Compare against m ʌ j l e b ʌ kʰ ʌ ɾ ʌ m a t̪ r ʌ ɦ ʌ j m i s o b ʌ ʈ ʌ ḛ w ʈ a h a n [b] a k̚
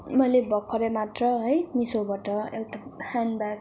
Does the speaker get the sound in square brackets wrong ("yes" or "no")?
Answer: no